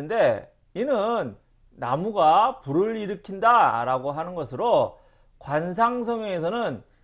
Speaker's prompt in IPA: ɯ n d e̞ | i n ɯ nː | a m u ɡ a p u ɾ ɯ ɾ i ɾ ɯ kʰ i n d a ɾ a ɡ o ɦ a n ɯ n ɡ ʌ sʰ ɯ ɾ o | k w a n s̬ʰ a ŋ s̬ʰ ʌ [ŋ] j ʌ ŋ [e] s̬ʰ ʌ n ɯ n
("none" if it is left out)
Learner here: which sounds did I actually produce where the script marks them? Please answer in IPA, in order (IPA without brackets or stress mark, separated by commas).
ŋ, e